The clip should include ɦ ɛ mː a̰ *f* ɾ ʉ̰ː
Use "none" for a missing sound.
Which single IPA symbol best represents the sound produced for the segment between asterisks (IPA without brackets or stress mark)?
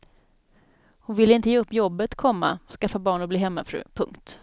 f